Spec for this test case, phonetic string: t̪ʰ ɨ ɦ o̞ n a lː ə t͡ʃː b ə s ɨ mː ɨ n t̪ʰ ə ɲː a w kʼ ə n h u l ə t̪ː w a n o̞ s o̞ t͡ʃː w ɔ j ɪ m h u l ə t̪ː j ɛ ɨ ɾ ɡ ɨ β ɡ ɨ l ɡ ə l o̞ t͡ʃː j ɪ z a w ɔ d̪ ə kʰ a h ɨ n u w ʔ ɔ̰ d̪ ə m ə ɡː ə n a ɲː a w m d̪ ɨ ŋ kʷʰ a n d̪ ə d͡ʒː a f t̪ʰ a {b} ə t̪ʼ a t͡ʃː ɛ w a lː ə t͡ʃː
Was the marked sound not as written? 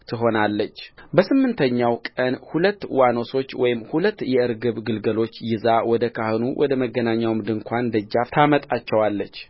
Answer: yes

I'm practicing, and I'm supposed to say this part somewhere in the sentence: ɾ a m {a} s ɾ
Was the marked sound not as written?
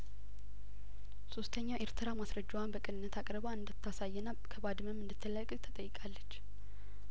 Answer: no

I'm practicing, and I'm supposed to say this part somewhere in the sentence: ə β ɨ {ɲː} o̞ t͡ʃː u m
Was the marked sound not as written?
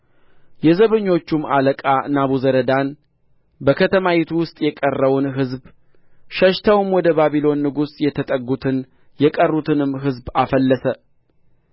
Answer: no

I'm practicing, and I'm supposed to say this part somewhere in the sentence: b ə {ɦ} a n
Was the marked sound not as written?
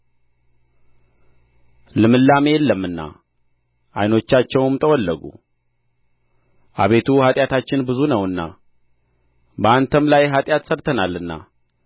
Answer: yes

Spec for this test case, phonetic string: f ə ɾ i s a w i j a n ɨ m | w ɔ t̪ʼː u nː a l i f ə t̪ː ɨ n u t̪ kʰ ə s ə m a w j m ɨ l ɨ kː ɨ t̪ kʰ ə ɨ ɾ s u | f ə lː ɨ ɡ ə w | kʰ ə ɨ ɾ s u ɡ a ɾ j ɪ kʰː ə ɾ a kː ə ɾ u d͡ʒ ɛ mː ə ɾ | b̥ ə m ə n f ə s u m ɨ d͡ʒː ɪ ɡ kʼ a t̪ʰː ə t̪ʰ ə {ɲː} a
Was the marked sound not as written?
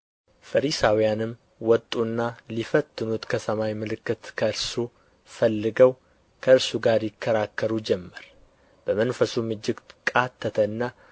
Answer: yes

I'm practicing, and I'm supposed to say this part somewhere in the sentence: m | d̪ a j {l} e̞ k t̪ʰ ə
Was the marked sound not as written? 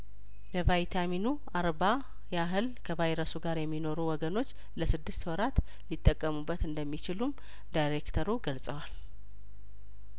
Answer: yes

